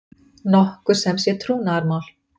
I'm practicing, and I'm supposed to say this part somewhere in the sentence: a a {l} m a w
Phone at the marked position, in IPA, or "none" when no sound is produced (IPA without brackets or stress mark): ɾ